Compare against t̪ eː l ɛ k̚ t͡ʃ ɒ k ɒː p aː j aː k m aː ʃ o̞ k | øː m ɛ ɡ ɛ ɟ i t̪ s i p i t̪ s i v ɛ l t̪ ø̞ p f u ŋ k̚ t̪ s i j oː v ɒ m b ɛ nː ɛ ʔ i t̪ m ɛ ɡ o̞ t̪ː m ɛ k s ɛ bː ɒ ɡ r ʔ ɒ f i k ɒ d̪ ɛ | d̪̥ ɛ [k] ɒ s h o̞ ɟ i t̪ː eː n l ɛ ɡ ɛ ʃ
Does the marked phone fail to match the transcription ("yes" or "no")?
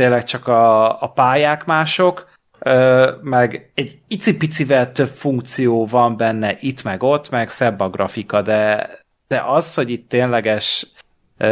yes